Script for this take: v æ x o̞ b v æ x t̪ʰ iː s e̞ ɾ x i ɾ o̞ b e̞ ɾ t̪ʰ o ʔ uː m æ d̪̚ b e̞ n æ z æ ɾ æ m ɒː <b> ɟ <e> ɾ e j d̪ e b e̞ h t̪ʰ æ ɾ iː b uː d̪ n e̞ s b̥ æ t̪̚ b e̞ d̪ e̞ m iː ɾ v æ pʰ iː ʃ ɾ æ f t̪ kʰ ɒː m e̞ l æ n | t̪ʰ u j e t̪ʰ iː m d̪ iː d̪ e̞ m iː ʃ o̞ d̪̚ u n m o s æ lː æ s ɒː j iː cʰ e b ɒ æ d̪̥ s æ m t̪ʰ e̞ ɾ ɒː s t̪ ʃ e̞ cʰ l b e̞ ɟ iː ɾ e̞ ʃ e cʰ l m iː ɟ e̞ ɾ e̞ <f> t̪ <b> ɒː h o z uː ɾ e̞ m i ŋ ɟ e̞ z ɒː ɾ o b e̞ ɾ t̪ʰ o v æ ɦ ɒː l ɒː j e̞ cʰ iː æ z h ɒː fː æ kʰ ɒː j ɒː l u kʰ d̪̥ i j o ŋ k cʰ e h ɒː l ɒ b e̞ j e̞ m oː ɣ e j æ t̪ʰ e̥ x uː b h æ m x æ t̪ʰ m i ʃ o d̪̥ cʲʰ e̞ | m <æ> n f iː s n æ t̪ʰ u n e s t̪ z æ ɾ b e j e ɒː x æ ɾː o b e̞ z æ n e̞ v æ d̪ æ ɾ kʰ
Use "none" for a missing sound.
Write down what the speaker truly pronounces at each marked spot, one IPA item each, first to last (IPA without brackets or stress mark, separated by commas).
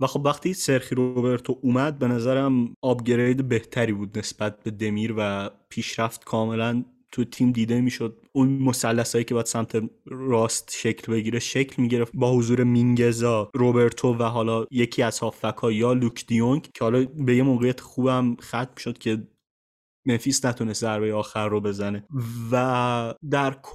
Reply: b, e, f, b, e